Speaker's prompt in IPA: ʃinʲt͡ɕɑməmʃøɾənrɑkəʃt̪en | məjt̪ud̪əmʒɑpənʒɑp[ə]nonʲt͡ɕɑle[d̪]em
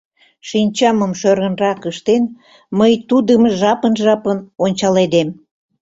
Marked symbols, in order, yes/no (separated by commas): yes, yes